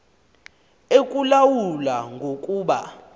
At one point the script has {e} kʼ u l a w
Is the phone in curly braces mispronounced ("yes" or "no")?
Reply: no